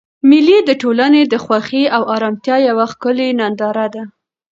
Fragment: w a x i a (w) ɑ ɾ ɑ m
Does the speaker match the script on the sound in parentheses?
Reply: yes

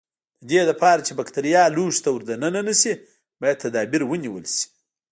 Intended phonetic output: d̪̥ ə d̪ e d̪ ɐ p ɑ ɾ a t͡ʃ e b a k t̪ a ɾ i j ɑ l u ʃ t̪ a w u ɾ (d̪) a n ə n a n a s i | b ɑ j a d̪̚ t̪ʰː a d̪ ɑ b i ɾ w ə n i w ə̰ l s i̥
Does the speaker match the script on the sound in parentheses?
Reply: yes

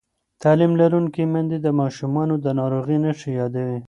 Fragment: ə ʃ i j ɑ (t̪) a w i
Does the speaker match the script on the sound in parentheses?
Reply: no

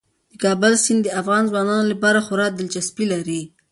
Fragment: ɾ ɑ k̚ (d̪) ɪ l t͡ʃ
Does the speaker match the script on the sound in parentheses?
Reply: yes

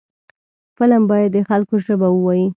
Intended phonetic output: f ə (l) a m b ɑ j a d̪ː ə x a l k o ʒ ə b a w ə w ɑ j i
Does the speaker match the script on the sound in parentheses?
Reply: yes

